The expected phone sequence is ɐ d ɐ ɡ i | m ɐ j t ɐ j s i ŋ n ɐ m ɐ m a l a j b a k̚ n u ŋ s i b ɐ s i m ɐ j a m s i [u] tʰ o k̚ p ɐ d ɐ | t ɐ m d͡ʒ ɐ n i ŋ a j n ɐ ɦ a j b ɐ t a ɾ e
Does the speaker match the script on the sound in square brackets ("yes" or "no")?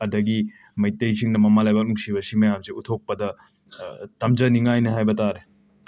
yes